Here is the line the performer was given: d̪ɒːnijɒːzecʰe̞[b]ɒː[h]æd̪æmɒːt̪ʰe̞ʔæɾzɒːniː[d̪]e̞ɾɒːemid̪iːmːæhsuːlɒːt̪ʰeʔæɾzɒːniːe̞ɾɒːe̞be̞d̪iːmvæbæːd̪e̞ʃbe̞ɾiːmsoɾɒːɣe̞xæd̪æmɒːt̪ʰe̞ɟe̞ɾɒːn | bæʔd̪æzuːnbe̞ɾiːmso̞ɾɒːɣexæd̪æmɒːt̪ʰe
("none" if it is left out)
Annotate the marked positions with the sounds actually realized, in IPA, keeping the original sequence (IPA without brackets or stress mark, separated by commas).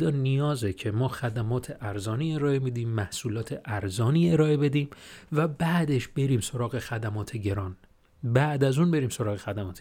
m, x, none